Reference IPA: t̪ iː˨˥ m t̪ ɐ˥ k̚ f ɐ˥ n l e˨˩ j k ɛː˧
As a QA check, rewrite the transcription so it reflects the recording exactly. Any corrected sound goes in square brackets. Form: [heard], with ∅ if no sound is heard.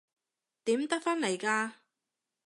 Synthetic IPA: t̪ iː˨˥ m t̪ ɐ˥ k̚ f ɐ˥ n l e˨˩ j k [aː˧]